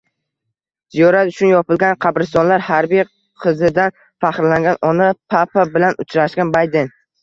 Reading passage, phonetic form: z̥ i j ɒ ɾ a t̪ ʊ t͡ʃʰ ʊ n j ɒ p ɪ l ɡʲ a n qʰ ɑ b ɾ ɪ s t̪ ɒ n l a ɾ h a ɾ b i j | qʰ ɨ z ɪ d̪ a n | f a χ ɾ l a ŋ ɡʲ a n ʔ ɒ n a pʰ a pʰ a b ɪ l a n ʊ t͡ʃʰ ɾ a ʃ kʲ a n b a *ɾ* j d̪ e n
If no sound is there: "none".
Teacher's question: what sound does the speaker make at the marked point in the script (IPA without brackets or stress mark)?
none